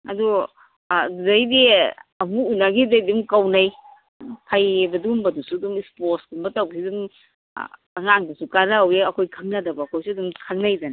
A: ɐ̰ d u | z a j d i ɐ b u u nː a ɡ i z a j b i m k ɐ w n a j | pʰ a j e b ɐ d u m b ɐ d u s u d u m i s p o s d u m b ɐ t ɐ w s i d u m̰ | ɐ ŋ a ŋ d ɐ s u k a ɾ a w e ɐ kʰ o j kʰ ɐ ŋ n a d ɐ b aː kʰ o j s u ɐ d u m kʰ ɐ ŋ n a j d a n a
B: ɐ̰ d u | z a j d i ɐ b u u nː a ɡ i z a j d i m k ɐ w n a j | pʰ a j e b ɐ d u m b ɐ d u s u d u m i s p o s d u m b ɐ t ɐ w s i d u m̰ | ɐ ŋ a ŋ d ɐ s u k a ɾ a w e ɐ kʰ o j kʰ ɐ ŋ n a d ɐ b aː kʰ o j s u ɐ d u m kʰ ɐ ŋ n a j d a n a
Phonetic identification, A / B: B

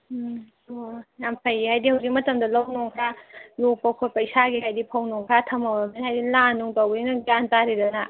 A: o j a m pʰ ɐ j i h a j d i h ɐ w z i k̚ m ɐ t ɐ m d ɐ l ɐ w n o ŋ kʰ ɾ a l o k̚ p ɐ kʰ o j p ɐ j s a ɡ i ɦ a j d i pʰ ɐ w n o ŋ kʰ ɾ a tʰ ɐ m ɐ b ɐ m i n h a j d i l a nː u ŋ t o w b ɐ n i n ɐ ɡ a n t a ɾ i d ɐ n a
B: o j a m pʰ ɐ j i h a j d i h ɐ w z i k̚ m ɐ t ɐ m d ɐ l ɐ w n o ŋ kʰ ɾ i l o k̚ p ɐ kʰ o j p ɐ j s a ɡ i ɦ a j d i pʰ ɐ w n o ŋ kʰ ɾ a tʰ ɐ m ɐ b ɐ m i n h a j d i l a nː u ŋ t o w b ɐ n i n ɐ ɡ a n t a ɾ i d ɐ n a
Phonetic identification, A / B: A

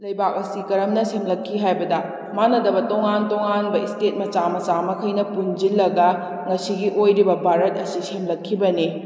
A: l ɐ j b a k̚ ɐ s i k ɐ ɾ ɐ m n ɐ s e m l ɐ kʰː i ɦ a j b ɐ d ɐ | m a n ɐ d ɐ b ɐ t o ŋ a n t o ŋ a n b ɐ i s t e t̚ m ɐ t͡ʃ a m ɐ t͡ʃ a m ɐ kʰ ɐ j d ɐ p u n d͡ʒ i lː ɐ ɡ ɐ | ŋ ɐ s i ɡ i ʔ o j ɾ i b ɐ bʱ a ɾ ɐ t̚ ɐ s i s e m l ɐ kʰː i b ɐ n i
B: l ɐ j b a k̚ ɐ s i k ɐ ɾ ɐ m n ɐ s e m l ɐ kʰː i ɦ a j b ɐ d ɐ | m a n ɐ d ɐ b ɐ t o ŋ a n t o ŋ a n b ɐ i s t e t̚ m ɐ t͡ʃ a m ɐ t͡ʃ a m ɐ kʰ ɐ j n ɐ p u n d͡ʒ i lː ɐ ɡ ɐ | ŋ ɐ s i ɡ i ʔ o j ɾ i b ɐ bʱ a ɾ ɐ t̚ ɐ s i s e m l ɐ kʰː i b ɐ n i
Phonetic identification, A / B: B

